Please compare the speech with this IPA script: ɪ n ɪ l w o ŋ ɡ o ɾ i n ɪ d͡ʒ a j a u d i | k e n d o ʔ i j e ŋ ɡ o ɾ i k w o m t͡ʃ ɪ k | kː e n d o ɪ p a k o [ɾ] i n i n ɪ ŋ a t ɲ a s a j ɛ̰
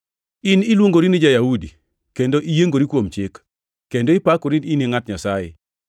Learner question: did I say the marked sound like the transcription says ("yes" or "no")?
yes